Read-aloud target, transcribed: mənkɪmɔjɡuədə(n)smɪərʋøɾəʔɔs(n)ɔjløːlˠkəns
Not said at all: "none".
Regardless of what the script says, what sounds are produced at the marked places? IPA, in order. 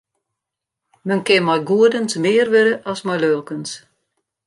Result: n, m

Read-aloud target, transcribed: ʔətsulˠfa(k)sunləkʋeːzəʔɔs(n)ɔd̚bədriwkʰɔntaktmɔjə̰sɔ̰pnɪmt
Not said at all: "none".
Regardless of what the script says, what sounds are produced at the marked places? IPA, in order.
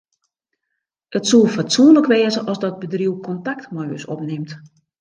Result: t, d

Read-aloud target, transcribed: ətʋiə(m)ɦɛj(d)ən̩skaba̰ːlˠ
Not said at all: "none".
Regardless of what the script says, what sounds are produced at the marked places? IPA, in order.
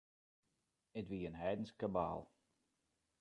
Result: n, d

